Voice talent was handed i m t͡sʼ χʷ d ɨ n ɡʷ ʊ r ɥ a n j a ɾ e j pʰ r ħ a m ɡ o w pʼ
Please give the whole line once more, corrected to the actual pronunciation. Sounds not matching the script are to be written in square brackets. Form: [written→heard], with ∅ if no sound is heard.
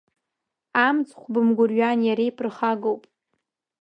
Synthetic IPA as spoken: [i→a] m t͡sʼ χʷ [d→b] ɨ [n→m] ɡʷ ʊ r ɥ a n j a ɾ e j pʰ r [ħ→χ] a [m→∅] ɡ o w pʼ